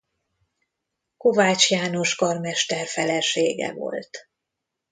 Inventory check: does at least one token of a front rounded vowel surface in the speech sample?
no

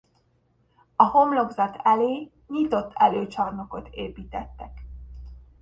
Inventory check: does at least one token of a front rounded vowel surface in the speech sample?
yes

